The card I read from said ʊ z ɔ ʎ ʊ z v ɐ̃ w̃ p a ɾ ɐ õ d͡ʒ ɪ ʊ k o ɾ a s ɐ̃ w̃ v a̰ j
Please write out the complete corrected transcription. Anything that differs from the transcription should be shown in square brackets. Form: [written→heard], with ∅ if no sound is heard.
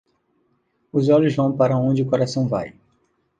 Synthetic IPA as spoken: ʊ z ɔ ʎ ʊ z v ɐ̃ w̃ p a ɾ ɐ õ d͡ʒ ɪ ʊ k o ɾ a s ɐ̃ w̃ v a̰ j